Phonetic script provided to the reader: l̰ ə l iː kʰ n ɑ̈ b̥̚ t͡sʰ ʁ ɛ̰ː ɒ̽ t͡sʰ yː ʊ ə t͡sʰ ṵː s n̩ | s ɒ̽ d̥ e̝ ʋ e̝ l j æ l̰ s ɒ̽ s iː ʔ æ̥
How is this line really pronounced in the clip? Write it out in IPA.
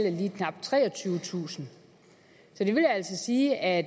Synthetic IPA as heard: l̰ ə l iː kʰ n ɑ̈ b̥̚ t͡sʰ ʁ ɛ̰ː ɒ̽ t͡sʰ yː ʊ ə t͡sʰ ṵː s n̩ | s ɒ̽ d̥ e̝ ʋ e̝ l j æ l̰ s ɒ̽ s iː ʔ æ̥